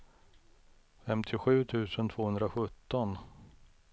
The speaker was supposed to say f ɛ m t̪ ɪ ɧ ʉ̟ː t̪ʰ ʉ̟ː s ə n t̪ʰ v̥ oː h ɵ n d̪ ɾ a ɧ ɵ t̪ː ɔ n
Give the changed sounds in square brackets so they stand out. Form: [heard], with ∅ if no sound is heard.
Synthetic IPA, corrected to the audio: f ɛ m [t̪ʰ] ɪ ɧ ʉ̟ː t̪ʰ ʉ̟ː s ə n t̪ʰ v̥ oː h ɵ n d̪ ɾ a ɧ ɵ t̪ː ɔ n